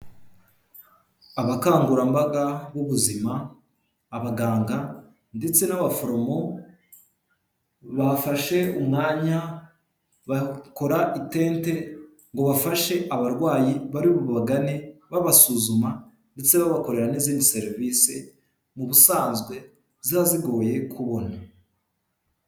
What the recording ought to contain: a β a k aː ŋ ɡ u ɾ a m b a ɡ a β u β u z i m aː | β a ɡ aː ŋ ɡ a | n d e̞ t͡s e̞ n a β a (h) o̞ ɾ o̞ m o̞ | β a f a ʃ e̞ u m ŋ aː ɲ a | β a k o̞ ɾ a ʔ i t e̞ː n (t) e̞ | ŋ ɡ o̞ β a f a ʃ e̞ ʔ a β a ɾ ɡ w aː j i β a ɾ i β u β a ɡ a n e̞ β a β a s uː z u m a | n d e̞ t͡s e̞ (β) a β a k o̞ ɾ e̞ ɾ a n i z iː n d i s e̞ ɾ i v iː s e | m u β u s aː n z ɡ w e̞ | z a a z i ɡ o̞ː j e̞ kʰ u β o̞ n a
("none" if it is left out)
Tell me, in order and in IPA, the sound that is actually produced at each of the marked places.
f, t, β

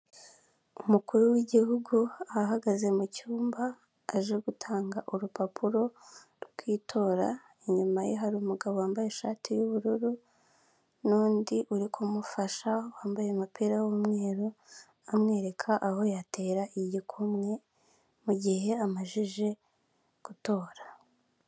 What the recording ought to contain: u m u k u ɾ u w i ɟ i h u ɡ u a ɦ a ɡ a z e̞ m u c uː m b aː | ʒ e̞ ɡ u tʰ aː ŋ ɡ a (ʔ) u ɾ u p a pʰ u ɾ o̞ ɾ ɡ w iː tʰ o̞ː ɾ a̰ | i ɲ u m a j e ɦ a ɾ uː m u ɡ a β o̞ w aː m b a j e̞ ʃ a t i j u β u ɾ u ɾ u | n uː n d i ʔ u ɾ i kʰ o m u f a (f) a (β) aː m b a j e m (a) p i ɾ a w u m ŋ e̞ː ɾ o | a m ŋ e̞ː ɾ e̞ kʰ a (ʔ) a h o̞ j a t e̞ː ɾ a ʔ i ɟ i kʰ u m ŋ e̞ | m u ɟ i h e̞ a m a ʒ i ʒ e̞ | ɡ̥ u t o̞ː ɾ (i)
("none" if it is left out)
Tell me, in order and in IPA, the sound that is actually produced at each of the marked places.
ʔ, ʃ, w, a, ʔ, a

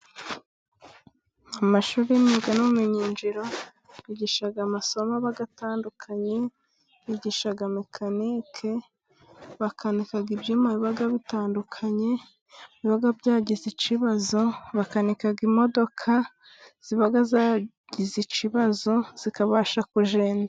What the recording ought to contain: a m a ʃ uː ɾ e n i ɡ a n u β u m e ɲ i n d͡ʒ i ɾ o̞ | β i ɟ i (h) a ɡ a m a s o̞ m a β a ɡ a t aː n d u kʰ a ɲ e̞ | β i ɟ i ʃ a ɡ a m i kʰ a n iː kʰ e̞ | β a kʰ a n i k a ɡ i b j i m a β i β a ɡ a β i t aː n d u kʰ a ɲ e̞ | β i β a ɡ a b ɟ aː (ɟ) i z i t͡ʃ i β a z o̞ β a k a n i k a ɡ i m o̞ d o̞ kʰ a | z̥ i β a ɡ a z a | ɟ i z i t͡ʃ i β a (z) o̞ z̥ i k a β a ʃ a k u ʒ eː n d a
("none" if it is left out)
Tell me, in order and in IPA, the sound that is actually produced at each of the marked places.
ʃ, ɟ, z

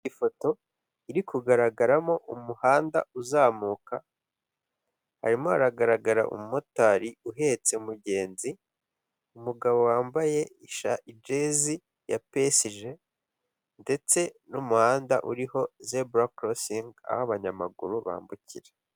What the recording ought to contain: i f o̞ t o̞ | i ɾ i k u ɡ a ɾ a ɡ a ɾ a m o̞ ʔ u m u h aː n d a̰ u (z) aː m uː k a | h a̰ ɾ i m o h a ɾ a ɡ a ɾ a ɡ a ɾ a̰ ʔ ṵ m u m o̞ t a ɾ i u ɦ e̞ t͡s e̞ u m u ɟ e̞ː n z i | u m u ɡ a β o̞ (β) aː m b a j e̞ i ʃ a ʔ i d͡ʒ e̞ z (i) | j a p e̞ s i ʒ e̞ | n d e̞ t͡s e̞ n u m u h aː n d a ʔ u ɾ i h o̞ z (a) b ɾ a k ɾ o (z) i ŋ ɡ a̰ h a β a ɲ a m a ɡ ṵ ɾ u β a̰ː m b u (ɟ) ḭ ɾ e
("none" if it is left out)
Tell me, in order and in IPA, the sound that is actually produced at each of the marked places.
z, w, i, e, s, c

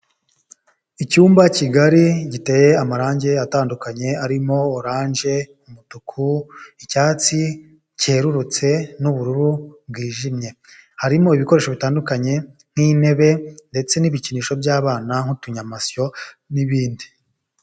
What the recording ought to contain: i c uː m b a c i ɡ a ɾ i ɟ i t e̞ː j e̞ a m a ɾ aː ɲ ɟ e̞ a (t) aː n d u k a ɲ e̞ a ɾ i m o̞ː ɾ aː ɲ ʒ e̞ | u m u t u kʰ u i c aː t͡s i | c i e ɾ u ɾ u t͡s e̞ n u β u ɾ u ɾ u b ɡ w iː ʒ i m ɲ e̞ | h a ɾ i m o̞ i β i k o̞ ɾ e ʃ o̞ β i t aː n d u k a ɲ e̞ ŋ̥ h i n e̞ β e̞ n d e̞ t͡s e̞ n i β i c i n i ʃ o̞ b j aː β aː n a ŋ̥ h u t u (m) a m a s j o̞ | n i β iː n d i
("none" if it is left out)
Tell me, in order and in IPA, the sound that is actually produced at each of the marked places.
t, ɲ

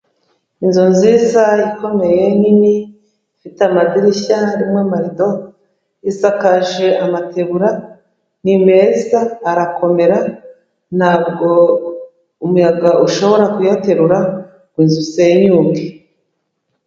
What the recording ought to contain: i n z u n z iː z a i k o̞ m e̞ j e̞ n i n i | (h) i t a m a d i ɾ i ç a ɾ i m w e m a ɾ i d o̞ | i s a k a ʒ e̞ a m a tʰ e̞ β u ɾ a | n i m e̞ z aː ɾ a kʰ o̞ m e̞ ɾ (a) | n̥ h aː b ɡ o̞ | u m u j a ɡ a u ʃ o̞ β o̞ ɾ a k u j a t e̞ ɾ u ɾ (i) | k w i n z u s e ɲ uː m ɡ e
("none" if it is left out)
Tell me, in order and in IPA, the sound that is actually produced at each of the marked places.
f, a, a

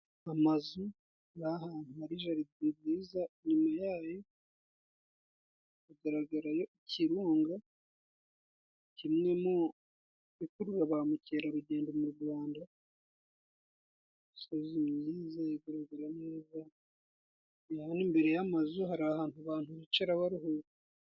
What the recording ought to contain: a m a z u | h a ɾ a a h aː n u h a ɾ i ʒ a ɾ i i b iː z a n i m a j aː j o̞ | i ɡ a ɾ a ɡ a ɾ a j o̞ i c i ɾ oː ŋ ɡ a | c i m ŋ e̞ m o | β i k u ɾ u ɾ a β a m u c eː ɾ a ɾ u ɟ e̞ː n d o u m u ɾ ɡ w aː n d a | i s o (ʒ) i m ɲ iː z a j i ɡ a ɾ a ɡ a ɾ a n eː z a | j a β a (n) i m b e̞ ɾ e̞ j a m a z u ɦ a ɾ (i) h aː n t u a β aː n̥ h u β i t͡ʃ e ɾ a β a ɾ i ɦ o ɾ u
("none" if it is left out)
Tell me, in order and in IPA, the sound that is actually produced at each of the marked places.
z, n, a

